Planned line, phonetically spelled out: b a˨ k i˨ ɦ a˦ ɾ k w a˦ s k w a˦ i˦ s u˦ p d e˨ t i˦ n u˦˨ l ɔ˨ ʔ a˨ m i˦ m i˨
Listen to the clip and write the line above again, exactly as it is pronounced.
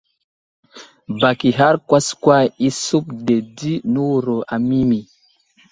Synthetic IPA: b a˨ k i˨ ɦ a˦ ɾ k w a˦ s k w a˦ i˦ s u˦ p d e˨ d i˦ n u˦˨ ɾ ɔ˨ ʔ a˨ m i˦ m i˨